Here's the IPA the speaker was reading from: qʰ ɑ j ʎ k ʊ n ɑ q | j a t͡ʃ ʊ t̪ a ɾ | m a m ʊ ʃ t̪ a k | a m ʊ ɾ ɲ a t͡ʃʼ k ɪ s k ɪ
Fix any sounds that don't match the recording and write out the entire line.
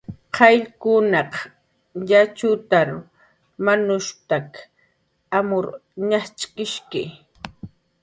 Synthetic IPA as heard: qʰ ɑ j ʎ k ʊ n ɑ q | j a t͡ʃ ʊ t̪ a ɾ | m a n ʊ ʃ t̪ a k | a m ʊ ɾ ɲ a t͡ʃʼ k ɪ ʃ k ɪ